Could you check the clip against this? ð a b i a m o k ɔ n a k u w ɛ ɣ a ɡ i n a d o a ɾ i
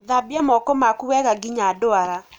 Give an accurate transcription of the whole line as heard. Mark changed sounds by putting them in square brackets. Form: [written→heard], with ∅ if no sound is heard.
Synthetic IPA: ð a b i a m [o→ɔ] k ɔ [n→m] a k u w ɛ ɣ a ɡ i [n→ɲ] a d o a ɾ [i→a]